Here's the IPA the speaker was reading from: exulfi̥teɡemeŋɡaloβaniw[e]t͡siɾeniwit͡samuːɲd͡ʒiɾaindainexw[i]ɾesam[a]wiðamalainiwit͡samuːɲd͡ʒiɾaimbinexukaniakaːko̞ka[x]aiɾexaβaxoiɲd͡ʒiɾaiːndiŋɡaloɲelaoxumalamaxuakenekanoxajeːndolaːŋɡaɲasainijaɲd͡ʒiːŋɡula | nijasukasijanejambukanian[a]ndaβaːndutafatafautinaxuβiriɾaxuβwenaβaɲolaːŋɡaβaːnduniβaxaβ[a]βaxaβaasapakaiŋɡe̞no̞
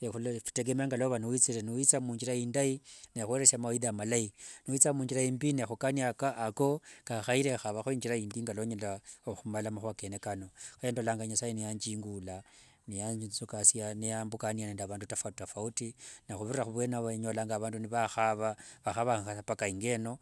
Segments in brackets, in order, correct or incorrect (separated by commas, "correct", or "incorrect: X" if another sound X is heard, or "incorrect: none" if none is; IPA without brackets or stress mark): incorrect: i, incorrect: e, correct, correct, incorrect: e, correct